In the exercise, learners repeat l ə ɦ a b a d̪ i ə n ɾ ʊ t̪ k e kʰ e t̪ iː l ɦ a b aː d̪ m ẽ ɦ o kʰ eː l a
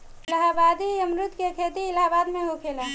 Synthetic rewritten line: l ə ɦ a b a d̪ i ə m ɾ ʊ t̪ k e kʰ e t̪ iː l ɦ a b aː d̪ m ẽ ɦ o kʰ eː l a